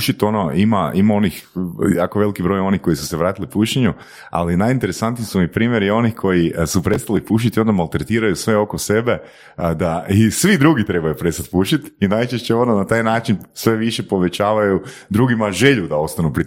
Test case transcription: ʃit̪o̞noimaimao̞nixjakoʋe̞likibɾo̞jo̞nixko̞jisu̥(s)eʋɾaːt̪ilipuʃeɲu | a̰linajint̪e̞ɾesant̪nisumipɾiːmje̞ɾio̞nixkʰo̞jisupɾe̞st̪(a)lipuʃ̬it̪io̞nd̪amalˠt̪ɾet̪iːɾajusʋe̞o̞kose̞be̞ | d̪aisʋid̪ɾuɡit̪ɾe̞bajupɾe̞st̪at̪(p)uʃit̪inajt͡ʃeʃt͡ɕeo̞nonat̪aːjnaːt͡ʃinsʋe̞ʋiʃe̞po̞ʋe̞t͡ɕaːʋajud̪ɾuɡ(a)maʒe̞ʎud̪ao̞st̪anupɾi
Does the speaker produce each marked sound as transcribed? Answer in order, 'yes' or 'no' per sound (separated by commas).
yes, yes, yes, no